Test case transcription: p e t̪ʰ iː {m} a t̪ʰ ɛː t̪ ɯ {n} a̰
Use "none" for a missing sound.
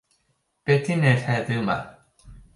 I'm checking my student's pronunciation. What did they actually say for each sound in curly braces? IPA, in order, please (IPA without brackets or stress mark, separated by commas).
n, m